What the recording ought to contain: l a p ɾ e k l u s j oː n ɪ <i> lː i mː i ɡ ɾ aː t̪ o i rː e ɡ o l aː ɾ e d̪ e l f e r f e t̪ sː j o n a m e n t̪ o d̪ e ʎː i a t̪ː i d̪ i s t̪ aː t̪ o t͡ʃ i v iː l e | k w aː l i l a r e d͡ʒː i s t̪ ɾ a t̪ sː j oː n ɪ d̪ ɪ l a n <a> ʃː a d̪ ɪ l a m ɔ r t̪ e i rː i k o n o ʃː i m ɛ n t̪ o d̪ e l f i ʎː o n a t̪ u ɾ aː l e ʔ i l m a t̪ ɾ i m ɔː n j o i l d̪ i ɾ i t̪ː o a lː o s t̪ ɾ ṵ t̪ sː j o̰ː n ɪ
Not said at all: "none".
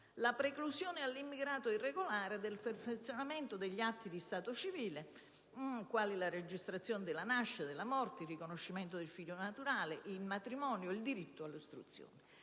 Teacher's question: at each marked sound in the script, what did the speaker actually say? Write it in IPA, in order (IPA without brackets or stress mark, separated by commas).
a, a